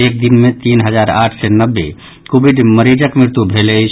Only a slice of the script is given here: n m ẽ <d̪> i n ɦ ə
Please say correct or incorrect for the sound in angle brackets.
incorrect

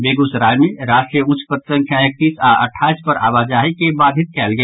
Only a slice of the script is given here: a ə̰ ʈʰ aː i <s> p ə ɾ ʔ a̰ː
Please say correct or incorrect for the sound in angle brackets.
correct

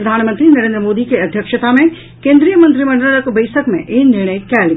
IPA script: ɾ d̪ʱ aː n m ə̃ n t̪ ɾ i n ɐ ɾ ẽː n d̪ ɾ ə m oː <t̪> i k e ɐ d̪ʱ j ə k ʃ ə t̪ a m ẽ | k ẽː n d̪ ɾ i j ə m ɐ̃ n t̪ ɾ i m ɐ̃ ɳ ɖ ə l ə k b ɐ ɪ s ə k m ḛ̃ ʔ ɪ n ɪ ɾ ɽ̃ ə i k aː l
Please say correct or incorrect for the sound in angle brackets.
incorrect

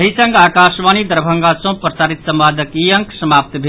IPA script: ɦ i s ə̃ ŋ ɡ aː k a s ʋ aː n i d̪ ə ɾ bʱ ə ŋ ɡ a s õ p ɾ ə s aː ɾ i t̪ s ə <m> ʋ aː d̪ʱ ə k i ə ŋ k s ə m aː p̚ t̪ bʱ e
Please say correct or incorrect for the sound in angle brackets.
correct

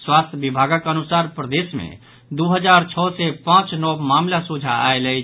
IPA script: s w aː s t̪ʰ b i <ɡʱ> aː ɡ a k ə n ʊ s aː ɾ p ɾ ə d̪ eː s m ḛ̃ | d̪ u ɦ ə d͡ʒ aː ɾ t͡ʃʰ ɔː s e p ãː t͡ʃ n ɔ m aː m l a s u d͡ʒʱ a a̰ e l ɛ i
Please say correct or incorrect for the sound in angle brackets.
incorrect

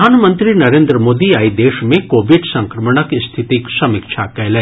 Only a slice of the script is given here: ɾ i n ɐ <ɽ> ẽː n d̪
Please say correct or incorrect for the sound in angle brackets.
incorrect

